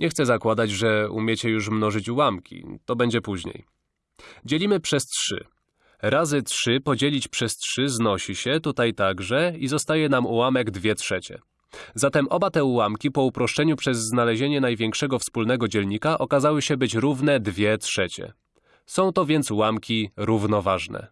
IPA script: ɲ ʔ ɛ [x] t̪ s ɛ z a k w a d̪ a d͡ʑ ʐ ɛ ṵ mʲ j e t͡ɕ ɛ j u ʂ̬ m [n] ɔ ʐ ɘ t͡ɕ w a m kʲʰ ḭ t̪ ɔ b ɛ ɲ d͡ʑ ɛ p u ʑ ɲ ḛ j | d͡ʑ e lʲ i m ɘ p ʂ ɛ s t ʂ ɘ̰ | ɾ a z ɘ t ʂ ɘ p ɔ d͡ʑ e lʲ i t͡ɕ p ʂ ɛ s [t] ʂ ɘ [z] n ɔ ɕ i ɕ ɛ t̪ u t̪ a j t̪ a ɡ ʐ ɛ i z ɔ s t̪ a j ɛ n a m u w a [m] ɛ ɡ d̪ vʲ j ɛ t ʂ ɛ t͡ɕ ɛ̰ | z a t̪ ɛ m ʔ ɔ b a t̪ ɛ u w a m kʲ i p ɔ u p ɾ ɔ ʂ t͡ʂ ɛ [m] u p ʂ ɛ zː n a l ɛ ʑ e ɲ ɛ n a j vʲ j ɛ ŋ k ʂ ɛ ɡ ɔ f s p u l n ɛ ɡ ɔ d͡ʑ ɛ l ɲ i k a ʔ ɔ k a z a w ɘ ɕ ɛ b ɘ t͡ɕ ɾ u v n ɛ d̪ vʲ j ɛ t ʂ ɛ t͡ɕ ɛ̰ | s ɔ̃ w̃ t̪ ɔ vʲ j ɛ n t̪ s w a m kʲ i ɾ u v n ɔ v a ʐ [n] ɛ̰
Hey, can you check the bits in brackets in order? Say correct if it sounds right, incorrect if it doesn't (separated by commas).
correct, correct, correct, correct, correct, incorrect, correct